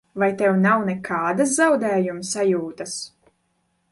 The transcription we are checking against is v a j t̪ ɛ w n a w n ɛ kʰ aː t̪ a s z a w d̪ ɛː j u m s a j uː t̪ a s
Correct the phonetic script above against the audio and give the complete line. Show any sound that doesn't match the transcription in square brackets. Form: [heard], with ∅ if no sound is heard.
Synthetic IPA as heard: v a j t̪ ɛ w n a w n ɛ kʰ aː [d̪] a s z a w d̪ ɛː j u m s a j uː t̪ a s